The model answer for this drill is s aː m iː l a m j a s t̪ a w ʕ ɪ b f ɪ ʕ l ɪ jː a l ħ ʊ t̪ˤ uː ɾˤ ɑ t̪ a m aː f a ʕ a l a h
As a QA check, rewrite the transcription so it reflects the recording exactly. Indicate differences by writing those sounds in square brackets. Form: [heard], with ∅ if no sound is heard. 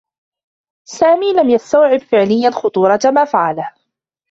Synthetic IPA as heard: s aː m iː l a m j a s t̪ a w ʕ ɪ b f ɪ ʕ l ɪ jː a l [x] ʊ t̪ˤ uː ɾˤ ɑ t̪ a m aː f a ʕ a l a h